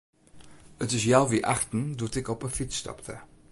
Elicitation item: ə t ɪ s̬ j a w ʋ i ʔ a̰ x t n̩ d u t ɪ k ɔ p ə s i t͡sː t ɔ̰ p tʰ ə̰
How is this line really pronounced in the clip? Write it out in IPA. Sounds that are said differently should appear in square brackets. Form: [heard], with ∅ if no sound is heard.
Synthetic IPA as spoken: ə t ɪ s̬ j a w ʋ i ʔ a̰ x t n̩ d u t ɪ k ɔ p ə [f] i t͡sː t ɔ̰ p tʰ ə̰